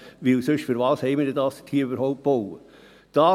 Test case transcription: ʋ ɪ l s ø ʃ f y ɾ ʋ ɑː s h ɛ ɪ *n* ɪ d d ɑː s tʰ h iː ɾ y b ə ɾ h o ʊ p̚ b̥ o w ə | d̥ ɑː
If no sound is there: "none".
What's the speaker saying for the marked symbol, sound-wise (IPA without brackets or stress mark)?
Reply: m